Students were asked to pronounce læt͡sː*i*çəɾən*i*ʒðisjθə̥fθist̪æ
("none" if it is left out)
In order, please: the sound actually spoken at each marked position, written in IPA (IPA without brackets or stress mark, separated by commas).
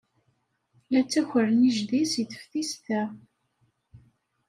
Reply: æ, i